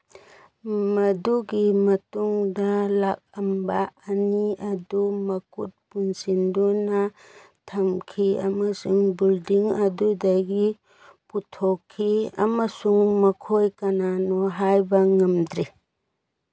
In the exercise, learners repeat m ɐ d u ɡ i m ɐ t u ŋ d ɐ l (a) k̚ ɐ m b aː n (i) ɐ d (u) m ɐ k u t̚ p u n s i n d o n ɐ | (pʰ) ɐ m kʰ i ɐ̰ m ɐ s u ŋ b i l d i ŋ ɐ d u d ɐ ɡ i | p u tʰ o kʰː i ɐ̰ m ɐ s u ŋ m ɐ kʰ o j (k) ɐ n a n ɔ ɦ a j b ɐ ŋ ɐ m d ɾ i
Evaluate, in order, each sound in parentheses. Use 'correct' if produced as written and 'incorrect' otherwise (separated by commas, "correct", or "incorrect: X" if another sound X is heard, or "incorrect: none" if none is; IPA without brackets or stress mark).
correct, correct, correct, incorrect: tʰ, correct